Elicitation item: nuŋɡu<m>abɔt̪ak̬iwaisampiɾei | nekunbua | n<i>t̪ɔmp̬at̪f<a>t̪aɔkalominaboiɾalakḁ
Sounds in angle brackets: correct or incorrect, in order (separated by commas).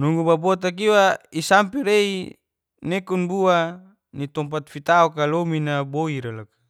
incorrect, correct, incorrect